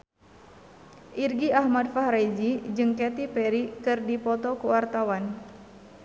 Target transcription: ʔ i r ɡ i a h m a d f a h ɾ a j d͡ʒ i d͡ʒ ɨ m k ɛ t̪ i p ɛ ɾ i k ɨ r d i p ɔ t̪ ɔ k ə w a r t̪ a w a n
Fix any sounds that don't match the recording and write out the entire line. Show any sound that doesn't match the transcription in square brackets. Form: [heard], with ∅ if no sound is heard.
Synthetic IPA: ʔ i r ɡ i a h m a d f a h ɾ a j d͡ʒ i d͡ʒ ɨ [ŋ] k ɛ t̪ i p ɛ ɾ i k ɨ r d i p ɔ t̪ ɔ k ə w a r t̪ a w a n